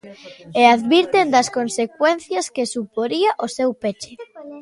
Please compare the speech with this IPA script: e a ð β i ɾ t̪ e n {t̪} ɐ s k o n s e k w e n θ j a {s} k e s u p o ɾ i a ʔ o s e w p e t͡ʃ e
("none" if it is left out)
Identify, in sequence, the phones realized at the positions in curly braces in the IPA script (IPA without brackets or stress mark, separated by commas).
d̪, s